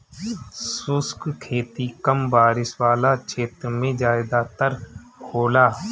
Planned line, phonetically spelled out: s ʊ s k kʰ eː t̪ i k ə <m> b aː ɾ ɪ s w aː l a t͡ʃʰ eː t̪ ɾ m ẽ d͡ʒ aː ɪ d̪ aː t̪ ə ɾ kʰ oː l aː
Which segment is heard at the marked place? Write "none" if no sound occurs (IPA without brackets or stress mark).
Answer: m